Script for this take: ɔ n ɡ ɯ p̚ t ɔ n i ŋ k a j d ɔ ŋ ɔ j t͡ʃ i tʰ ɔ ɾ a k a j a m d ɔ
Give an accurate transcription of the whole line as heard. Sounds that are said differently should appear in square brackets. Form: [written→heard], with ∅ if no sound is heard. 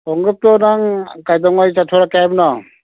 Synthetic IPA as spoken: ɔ [n→ŋ] ɡ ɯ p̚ t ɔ n [i→a] ŋ k a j d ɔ ŋ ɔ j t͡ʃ [i→a] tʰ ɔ ɾ a k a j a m [d→n] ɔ